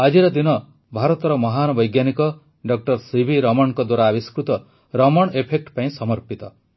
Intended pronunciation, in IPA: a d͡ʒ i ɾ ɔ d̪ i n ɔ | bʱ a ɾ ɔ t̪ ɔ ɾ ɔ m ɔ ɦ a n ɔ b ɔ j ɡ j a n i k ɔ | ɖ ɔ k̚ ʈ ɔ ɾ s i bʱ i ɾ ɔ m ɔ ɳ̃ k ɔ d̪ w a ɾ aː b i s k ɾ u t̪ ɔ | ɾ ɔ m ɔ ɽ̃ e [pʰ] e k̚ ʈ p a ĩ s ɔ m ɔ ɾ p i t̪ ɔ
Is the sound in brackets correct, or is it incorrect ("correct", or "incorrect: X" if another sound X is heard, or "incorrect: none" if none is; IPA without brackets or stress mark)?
correct